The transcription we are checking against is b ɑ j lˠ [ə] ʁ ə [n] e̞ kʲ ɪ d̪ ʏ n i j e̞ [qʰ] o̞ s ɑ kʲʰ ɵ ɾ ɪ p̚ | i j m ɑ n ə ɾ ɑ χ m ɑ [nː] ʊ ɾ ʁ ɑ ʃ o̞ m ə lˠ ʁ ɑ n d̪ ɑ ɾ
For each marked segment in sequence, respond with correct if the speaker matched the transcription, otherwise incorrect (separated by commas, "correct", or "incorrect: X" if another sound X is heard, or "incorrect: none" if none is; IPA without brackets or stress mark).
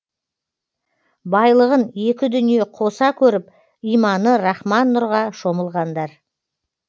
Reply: correct, correct, correct, correct